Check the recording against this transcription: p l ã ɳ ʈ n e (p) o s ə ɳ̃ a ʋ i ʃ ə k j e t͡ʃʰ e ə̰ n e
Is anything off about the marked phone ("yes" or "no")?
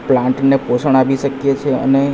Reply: no